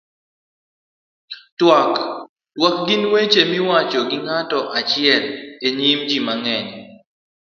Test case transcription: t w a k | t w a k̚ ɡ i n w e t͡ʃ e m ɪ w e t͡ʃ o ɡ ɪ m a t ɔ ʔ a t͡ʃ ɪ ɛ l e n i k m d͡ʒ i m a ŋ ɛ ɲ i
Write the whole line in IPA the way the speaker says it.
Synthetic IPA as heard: t w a k | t w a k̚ ɡ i n w e t͡ʃ e m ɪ w a t͡ʃ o ɡ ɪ ŋ a t ɔ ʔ a t͡ʃ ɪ ɛ l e ɲ i m d͡ʒ i m a ŋ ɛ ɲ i